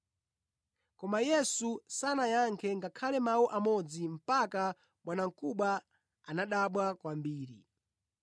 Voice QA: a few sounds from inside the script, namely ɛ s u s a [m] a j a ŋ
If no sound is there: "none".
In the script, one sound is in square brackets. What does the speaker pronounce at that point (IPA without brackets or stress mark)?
n